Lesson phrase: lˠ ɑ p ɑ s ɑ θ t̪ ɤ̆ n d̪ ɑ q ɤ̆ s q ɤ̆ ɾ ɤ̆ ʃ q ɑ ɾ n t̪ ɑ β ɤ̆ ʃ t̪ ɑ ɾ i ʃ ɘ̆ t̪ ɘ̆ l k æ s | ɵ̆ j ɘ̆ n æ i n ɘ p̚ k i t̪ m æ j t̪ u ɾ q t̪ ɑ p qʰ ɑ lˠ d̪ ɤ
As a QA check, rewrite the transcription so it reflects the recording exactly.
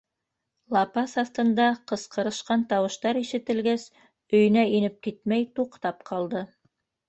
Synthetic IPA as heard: lˠ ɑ p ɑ s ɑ θ t̪ ɤ̆ n d̪ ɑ q ɤ̆ s q ɤ̆ ɾ ɤ̆ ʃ q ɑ n t̪ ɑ w ɤ̆ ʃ t̪ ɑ ɾ i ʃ ɘ̆ t̪ ɘ̆ l ɡ æ s | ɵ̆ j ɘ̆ n æ i n ɘ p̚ k i t̪ m æ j t̪ u q t̪ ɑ p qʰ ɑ lˠ d̪ ɤ